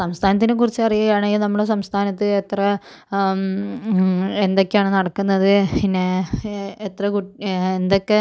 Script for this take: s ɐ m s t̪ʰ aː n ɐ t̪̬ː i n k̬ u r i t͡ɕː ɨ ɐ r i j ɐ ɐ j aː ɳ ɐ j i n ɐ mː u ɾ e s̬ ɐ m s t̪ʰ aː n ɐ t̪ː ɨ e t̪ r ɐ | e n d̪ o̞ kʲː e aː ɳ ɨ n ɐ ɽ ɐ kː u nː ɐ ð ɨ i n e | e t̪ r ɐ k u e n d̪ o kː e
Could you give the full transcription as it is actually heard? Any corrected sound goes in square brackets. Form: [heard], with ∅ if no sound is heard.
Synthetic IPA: s ɐ m s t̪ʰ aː n ɐ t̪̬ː i n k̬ u r i t͡ɕː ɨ ɐ r i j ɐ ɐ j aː ɳ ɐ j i n ɐ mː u [ɽ] e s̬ ɐ m s t̪ʰ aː n ɐ t̪ː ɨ e t̪ r ɐ | e n d̪ o̞ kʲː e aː ɳ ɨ n ɐ ɽ ɐ kː u nː ɐ ð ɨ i n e | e t̪ r ɐ k u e n d̪ o kː e